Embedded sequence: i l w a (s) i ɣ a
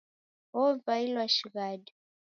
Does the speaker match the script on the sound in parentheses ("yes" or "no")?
no